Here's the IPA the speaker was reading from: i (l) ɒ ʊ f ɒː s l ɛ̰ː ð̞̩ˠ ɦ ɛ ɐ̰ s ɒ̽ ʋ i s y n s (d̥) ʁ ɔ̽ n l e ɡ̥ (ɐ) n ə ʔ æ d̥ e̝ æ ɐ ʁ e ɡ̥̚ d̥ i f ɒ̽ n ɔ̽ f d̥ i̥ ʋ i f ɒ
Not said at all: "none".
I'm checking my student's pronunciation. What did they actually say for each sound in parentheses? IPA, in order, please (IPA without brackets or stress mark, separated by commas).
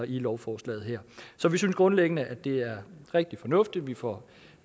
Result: l, ɡ̥, ə